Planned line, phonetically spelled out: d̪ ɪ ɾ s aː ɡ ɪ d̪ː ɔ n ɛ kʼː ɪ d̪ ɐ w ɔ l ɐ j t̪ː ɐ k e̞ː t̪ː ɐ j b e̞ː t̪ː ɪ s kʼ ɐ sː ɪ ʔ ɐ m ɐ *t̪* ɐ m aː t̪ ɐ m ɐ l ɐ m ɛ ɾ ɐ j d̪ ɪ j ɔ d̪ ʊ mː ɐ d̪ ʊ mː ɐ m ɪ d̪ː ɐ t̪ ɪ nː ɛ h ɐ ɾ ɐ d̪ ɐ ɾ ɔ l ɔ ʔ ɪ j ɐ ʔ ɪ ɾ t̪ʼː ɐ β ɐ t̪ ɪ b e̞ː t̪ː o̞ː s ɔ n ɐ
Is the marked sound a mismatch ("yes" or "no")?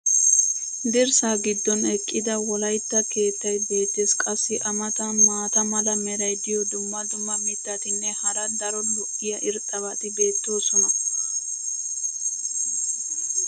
no